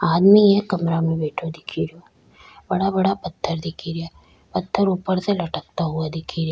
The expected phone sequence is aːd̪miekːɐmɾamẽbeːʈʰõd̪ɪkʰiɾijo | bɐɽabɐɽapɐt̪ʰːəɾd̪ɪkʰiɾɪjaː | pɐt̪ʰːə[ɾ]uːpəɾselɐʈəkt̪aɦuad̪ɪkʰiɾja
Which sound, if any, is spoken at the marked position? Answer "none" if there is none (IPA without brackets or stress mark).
ɾ